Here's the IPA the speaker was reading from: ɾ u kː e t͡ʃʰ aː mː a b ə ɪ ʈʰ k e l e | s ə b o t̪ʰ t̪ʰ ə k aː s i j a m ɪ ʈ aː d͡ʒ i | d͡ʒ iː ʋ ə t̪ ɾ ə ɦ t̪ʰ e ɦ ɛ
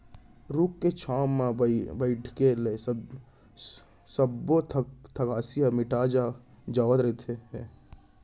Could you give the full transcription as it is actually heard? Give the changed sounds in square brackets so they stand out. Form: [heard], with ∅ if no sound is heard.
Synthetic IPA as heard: ɾ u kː e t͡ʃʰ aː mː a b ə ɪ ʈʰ k e l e | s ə b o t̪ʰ t̪ʰ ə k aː s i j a m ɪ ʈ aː d͡ʒ [a] | d͡ʒ [aː] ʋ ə t̪ ɾ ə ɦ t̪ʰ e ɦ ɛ